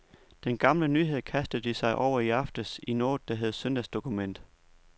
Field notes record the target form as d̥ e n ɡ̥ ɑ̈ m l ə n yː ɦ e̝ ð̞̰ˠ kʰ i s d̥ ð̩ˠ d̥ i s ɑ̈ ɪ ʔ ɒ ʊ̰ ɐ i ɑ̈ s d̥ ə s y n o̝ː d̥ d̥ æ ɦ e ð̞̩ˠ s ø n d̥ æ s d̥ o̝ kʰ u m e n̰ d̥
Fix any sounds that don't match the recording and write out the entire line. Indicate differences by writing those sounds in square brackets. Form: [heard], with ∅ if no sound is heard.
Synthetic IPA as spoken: d̥ e n ɡ̥ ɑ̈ m l ə n yː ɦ e̝ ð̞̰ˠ kʰ [æ] s d̥ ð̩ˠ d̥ i s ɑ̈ ɪ ʔ ɒ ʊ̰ ɐ i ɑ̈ [f] d̥ ə s [i] n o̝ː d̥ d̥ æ ɦ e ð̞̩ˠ s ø n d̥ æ s d̥ o̝ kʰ u m e n̰ d̥